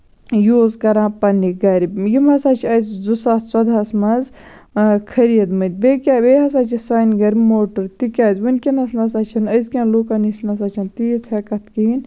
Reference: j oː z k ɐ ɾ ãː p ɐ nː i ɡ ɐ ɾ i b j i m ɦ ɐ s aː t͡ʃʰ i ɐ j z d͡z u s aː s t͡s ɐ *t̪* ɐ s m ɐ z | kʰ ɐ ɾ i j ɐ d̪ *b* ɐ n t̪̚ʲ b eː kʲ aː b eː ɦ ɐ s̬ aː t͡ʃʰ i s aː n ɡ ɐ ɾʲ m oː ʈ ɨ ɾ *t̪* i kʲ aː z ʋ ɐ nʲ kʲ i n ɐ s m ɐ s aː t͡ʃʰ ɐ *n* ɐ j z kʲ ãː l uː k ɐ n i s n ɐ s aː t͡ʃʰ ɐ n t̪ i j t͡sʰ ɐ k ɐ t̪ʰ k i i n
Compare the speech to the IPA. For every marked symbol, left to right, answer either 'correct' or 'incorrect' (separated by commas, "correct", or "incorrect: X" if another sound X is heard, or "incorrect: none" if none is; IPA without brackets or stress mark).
incorrect: d̪, incorrect: m, correct, correct